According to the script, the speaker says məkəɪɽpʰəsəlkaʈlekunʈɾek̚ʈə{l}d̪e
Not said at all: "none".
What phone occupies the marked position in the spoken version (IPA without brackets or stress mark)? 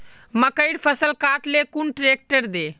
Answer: ɾ